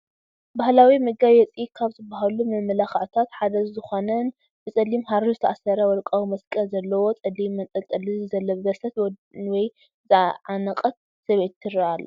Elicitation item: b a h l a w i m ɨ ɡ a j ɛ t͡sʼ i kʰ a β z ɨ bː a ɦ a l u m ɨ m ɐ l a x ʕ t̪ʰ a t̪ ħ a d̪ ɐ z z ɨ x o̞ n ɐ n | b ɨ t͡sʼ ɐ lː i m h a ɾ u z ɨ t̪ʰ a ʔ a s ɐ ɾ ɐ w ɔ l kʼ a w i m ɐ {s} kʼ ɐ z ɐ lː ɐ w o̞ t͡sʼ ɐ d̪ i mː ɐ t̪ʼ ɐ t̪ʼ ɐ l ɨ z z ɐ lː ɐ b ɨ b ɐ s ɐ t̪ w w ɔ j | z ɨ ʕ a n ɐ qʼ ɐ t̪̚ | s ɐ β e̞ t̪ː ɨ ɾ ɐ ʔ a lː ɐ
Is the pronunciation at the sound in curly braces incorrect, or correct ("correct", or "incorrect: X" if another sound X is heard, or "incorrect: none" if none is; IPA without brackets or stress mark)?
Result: correct